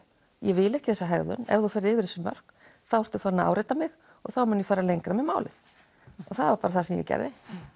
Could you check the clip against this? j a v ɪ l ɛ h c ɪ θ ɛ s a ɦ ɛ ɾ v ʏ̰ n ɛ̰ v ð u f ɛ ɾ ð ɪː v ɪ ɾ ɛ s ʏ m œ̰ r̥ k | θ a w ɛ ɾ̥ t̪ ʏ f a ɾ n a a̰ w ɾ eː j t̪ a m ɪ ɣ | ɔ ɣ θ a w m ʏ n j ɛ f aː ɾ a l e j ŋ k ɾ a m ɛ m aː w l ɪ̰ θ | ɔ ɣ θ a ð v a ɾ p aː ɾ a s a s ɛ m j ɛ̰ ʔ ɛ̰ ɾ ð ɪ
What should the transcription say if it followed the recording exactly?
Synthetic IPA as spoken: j ɛ v ɪ l ɛ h c ɪ θ ɛ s a ɦ ɛ ɾ ð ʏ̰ n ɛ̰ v ð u f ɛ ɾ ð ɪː v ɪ ɾ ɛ s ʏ m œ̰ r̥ k | θ a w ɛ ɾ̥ t̪ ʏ f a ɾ n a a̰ w ɾ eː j t̪ a m ɪ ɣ | ɔ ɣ θ a w m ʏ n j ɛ f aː ɾ a l e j ŋ k ɾ a m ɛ m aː w l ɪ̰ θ | ɔ ɣ θ a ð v a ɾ p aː ɾ a θ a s ɛ m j ɛ̰ c ɛ̰ ɾ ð ɪ